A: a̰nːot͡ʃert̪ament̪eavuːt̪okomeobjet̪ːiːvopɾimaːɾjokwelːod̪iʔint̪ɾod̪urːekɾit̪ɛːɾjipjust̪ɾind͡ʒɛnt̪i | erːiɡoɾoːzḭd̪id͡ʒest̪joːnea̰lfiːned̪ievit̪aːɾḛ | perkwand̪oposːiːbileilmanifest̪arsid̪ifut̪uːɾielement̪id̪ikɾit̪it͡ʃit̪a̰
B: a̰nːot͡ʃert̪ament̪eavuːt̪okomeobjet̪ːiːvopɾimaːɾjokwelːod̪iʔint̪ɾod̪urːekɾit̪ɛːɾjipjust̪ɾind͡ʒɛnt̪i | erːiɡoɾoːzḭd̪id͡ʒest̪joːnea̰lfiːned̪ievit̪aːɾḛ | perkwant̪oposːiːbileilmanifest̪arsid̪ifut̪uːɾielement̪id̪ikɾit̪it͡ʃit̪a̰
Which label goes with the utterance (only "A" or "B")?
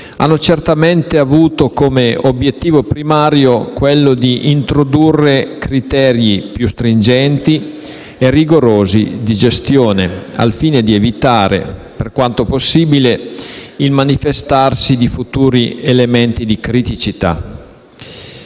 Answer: B